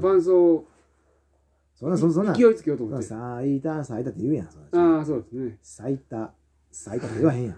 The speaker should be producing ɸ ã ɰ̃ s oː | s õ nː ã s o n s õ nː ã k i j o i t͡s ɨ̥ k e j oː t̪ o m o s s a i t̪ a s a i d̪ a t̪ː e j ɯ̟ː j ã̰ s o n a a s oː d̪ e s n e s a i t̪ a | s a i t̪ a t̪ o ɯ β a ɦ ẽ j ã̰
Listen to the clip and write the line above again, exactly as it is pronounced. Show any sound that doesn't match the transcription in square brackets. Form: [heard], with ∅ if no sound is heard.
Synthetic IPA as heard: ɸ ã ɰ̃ s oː | s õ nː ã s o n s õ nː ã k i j o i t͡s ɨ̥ k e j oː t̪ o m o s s a i t̪ a s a i [t̪] a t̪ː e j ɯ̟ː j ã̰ s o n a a s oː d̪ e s n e s a i t̪ a | s a i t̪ a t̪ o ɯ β a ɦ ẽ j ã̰